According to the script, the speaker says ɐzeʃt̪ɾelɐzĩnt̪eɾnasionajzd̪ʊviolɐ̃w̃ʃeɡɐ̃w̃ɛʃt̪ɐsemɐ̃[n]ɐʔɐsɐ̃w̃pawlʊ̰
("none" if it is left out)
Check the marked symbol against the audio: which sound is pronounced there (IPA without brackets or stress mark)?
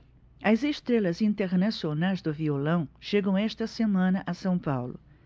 n